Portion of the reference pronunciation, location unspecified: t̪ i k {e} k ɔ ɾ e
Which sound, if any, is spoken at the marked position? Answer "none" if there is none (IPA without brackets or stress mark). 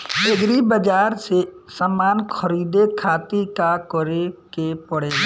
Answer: a